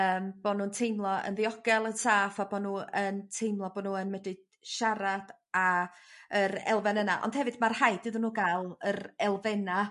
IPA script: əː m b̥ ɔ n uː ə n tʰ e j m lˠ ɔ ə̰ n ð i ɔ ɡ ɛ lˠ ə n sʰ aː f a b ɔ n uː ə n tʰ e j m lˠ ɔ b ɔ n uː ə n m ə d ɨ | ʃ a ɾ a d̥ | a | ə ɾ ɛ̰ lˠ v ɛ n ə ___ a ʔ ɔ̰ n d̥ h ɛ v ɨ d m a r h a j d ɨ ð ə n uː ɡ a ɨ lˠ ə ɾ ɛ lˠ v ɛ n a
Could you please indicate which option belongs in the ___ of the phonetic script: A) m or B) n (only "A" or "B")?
B